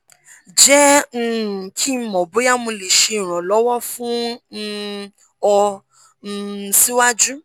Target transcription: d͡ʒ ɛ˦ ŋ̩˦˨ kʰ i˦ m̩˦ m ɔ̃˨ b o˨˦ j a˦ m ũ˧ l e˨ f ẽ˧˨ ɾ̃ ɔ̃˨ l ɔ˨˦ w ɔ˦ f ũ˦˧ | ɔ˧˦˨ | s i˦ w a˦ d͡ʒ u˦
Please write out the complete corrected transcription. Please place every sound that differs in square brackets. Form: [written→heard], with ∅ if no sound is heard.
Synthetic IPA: d͡ʒ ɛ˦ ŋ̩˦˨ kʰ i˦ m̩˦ m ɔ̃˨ b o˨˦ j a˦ m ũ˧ l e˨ [f→ʃ] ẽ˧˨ ɾ̃ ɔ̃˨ l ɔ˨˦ w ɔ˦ f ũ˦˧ | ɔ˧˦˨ | s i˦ w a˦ d͡ʒ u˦